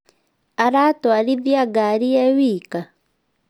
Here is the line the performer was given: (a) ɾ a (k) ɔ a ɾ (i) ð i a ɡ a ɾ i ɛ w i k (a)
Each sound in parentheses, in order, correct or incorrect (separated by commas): correct, incorrect, correct, correct